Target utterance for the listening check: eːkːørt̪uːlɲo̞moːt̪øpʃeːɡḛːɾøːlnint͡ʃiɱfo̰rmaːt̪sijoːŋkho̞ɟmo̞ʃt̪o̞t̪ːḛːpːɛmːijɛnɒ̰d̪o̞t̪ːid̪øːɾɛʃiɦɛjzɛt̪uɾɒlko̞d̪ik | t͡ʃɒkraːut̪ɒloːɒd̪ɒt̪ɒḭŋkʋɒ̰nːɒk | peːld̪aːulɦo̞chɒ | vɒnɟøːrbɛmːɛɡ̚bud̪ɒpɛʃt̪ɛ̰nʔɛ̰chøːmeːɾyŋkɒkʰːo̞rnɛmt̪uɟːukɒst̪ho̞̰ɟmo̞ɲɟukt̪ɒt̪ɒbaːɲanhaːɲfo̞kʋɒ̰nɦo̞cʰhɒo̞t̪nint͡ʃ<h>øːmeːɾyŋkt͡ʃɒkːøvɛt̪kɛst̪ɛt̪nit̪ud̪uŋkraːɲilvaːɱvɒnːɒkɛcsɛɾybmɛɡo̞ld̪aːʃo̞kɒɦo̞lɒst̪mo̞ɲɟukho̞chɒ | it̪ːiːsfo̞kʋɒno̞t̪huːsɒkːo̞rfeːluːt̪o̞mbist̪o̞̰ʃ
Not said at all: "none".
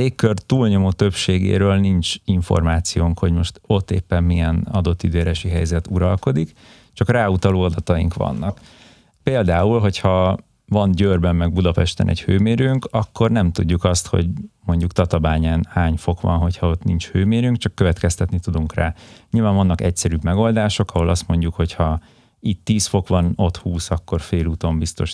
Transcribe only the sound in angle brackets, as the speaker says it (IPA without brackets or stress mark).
h